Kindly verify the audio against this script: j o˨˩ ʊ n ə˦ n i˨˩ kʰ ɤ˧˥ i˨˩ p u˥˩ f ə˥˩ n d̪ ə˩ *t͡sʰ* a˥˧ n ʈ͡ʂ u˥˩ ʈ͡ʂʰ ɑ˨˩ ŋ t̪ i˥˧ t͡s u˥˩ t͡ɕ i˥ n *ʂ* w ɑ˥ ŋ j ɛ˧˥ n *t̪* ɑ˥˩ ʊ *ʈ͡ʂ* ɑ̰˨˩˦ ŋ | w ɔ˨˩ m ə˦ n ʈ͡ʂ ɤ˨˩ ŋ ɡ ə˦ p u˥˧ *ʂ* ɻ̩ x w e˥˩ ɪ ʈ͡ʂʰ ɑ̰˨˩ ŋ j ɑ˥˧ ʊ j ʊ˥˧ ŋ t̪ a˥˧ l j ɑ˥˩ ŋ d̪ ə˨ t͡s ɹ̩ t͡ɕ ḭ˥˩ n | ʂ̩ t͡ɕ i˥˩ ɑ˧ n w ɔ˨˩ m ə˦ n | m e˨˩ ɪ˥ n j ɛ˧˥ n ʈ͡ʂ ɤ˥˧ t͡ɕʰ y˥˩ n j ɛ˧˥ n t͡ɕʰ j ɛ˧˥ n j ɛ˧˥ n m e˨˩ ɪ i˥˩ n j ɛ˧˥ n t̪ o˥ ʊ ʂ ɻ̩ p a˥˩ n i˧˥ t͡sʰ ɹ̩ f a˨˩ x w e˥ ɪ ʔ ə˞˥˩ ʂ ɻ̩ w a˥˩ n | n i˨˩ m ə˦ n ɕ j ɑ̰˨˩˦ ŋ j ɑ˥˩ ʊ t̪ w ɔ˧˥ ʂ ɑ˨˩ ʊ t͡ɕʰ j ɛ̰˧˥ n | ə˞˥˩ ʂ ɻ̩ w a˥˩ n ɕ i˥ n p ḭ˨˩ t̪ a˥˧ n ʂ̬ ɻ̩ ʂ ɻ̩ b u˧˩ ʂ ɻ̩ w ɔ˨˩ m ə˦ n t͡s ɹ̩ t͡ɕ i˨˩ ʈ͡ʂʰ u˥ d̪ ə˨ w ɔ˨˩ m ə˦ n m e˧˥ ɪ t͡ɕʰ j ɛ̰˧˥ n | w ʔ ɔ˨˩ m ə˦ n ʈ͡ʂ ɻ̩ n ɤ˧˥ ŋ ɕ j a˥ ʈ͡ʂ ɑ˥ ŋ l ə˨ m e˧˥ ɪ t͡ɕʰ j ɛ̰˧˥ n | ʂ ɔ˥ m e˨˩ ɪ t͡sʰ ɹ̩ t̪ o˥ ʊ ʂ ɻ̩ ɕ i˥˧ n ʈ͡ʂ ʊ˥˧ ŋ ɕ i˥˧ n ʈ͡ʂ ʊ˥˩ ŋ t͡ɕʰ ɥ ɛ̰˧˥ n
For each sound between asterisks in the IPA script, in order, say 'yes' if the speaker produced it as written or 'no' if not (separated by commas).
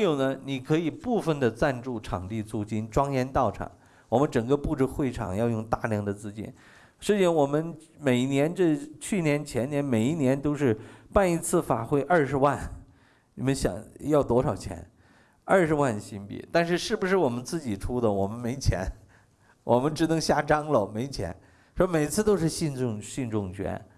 no, no, yes, no, no